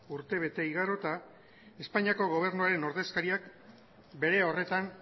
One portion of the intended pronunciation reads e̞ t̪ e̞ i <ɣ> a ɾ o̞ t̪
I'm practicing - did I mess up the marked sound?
no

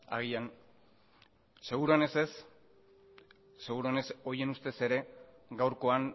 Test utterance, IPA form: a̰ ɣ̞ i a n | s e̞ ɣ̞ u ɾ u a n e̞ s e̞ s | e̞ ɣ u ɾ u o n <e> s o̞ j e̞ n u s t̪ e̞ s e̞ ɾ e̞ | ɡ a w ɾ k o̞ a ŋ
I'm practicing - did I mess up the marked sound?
no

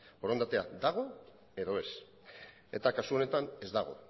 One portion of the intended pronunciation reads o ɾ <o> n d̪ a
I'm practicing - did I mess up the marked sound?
no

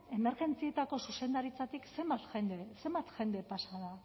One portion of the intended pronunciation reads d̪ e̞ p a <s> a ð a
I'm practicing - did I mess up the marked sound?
no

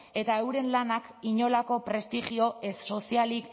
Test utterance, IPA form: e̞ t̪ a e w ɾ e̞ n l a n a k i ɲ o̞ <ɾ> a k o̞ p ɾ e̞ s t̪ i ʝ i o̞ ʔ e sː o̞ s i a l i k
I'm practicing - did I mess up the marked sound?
yes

